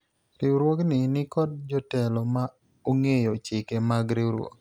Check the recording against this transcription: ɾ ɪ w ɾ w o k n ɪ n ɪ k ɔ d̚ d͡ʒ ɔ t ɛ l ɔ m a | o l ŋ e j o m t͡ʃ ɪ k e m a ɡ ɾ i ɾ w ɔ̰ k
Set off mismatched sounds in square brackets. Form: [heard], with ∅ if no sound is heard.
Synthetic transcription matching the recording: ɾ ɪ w ɾ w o k n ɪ n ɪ k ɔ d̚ d͡ʒ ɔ t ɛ l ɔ m a | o [∅] ŋ e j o [∅] t͡ʃ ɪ k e m a ɡ ɾ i ɾ w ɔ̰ k